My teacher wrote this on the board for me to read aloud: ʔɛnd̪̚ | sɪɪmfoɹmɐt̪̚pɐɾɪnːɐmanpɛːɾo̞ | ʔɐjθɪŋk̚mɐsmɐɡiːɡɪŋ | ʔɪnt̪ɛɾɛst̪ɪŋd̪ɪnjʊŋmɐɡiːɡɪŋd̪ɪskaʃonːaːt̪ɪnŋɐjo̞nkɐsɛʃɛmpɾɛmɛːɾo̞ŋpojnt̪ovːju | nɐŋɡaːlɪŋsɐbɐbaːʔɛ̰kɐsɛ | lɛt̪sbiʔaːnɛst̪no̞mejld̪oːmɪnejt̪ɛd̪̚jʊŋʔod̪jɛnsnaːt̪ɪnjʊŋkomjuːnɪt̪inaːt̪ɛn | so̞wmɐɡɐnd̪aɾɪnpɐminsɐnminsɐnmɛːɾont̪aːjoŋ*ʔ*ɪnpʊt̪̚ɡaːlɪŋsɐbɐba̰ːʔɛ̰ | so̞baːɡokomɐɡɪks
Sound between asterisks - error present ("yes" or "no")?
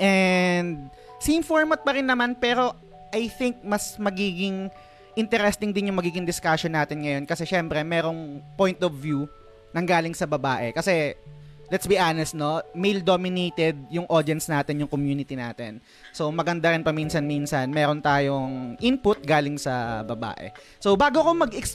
no